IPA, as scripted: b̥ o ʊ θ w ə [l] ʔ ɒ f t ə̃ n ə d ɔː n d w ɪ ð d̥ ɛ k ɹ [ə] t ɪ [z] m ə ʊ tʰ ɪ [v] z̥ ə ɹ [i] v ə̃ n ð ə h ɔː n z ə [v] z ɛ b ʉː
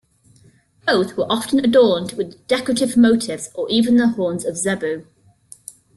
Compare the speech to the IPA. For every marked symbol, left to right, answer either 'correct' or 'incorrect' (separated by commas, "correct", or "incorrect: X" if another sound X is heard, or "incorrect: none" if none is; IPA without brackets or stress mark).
incorrect: ɹ, correct, incorrect: v, correct, incorrect: iː, correct